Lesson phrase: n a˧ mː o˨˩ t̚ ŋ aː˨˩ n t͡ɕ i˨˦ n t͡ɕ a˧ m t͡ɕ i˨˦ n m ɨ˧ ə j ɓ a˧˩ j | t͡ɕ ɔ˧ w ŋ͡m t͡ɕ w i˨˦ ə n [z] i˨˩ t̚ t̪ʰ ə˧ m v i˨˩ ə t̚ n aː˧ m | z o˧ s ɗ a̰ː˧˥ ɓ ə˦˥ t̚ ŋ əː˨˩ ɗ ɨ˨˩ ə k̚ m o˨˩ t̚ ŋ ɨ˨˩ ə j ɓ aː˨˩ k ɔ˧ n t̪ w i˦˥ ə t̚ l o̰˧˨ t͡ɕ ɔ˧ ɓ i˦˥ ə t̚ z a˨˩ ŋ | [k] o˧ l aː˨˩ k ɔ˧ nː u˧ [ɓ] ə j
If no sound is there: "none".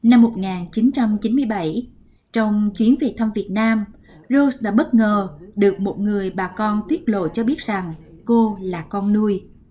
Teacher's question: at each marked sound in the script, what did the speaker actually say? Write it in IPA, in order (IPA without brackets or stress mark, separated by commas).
v, k, none